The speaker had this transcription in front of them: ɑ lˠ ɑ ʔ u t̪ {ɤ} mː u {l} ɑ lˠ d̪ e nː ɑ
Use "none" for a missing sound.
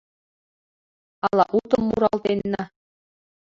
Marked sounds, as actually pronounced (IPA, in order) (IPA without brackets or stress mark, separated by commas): ɤ, ɾ